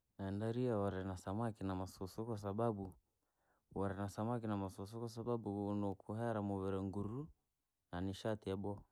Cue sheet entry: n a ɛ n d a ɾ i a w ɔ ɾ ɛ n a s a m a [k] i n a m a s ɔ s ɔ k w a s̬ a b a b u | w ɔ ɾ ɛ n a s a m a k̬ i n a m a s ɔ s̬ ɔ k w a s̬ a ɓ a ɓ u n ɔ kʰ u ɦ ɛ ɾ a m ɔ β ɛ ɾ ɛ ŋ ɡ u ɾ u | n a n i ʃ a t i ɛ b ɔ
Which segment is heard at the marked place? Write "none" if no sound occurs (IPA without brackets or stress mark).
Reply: k